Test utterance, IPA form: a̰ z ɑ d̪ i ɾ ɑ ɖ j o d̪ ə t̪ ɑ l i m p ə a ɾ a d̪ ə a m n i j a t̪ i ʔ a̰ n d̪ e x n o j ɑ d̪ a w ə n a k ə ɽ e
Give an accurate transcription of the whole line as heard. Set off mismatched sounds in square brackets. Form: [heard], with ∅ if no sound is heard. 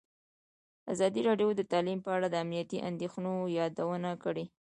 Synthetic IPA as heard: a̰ z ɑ d̪ i ɾ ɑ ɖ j o d̪ ə t̪ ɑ l i m p ə a [ɽ] a d̪ ə a m n i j a t̪ i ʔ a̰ n d̪ e x n o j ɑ d̪ a w ə n a k ə ɽ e

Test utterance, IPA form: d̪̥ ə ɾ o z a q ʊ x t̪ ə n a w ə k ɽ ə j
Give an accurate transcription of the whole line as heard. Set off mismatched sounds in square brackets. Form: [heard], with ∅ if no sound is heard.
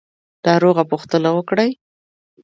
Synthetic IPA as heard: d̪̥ [ɑ] ɾ o [ɣ] a [p] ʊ x t̪ ə n a w ə k ɽ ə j

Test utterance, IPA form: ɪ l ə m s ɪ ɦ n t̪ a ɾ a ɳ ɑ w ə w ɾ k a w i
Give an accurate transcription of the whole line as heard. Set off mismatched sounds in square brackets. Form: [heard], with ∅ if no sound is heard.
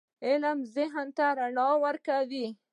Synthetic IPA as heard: ɪ l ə m [z] ɪ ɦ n t̪ a ɾ a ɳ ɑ w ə [∅] ɾ k a w i

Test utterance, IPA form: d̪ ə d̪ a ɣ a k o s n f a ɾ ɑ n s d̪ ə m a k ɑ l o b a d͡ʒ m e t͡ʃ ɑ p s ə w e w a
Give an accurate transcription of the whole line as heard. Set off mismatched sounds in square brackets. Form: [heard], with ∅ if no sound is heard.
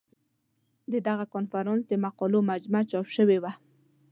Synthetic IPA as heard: d̪ ə d̪ a ɣ a k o [∅] n f a ɾ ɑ n s d̪ ə m a [q] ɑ l o [m] a d͡ʒ m [a] t͡ʃ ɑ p [ʃ] ə w e w a

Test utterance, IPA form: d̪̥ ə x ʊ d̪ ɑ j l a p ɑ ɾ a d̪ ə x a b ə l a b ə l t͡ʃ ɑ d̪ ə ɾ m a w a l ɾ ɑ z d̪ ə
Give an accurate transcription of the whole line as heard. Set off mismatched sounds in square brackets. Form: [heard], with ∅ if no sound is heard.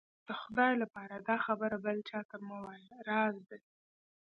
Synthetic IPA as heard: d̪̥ ə x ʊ d̪ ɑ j l a p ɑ ɾ a d̪ [ɑ] x a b ə [ɾ] a b ə l t͡ʃ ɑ [t̪] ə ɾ m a w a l ɾ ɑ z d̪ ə

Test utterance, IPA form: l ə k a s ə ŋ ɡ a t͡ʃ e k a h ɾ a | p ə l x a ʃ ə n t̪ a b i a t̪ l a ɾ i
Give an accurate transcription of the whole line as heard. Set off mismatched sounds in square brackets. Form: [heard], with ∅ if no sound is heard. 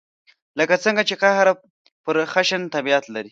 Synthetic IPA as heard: l ə k a [t͡s] ə ŋ ɡ a t͡ʃ e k a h ɾ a | p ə [ɾ] x a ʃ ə n t̪ a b i a t̪ l a ɾ i

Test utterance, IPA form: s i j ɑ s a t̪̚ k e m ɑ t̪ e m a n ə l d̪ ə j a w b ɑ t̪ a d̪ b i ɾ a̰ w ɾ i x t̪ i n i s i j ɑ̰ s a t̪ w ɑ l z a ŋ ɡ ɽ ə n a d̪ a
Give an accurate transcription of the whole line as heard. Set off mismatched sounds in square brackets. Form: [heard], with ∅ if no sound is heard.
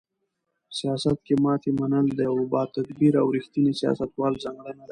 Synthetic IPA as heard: s i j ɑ s a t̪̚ k e m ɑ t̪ e m a n ə l d̪ ə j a w b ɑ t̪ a d̪ b i ɾ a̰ w ɾ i x t̪ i n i s i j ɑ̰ s a t̪ w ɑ l z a ŋ ɡ ɽ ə n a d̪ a

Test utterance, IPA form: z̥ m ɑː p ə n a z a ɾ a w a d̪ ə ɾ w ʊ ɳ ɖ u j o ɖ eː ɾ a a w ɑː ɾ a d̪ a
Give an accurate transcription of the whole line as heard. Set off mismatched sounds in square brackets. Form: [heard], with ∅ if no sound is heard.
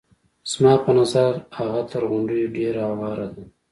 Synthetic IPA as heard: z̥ m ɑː p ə n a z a ɾ a [ɣ] a [t̪] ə ɾ [ɣ] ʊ ɳ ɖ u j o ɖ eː ɾ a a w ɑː ɾ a d̪ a

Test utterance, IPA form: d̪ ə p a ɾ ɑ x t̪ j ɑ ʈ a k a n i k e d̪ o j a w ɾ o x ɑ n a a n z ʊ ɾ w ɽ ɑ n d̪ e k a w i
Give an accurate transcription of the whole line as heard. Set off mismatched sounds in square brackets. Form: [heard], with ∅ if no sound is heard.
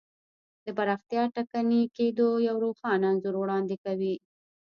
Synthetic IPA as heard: d̪ ə p a ɾ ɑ x t̪ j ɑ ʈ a k a n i k e d̪ o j a w ɾ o x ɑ n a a n z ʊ ɾ w ɽ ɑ n d̪ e k a w i

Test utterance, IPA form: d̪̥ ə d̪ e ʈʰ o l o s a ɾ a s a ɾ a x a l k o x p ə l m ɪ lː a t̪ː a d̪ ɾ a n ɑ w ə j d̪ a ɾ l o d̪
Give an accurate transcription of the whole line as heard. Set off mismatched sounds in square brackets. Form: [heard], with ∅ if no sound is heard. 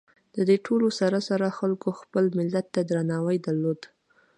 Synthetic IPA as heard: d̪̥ ə d̪ e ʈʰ o l o s a ɾ a s a ɾ a x a l k o x p ə l m ɪ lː a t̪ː a d̪ ɾ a n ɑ w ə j d̪ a ɾ l o d̪

